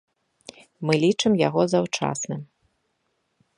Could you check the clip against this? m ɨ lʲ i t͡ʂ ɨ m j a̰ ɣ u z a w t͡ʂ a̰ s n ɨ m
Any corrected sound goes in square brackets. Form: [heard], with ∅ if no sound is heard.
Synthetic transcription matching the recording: m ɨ lʲ i t͡ʂ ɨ m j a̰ ɣ [ɔ] z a w t͡ʂ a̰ s n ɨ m